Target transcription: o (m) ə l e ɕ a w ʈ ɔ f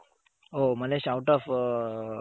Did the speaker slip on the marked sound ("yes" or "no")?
no